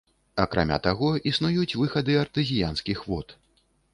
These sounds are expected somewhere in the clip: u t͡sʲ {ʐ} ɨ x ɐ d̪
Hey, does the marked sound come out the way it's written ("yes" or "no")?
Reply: no